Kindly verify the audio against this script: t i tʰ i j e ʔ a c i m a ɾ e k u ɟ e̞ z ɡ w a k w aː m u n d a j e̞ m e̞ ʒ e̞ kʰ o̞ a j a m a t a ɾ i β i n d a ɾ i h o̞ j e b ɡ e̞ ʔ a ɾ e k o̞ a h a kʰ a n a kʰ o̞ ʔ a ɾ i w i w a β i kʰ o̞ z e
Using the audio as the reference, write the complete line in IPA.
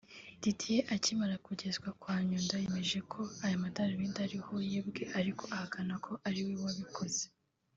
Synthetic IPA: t i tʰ i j e ʔ a c i m a ɾ a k u ɟ e̞ z ɡ w a k w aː ɲ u n d a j e̞ m e̞ ʒ e̞ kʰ o̞ a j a m a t a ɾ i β i n d a ɾ i h o̞ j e b ɡ e̞ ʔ a ɾ i k o̞ a h a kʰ a n a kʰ o̞ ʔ a ɾ i w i w a β i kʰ o̞ z e